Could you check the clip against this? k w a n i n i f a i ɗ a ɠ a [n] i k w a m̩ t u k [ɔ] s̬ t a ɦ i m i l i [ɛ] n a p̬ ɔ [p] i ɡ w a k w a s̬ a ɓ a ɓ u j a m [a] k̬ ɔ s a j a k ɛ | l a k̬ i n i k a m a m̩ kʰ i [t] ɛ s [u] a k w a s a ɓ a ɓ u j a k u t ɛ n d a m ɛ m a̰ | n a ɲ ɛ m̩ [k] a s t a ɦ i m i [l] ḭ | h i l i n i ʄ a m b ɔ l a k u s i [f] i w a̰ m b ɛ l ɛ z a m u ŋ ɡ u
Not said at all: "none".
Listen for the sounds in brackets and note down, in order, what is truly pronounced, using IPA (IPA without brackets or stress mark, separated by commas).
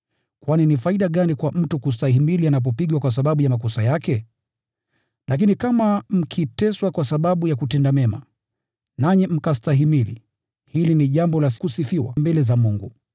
n, u, a, p, a, t, w, k, l, f